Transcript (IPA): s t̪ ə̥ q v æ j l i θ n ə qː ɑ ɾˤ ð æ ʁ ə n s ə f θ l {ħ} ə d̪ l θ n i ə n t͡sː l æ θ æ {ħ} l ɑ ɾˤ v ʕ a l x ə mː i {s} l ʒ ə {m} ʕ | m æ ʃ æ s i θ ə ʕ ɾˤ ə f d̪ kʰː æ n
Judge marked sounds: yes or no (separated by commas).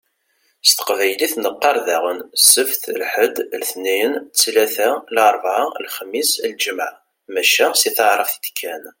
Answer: yes, no, yes, yes